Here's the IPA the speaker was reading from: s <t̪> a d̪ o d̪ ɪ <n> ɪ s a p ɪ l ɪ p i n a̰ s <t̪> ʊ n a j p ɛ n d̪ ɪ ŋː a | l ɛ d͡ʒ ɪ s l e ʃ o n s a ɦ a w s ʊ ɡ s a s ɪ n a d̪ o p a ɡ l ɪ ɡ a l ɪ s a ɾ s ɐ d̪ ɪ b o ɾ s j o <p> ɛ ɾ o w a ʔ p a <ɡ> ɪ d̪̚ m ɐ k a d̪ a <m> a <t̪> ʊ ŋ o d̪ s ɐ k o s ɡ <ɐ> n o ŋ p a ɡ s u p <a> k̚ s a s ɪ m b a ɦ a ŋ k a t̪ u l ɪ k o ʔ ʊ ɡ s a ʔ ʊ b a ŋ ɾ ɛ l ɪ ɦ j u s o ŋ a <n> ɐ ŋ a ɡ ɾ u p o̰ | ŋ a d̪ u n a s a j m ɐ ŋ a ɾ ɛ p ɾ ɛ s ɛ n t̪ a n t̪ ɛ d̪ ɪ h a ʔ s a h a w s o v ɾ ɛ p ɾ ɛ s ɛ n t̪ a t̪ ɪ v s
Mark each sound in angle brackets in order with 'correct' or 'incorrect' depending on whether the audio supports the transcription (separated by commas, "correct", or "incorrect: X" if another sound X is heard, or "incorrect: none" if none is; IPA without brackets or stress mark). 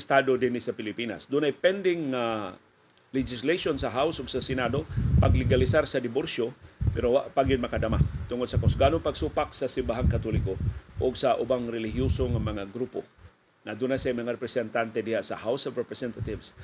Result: correct, correct, incorrect: d̪, correct, correct, correct, correct, incorrect: a, correct, incorrect: m